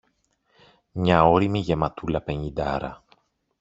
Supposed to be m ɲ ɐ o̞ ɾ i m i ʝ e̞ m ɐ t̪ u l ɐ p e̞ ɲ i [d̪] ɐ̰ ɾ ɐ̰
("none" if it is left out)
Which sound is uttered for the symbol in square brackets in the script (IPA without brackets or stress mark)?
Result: d̪